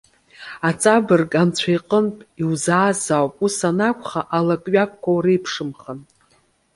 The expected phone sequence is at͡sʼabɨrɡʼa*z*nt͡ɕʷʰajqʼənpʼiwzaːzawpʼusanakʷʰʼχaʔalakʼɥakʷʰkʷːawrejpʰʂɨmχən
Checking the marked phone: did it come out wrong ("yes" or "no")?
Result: yes